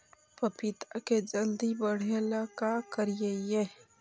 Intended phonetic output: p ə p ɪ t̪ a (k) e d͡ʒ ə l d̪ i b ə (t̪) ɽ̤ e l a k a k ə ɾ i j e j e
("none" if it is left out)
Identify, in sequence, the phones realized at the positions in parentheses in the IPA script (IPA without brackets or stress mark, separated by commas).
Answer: k, none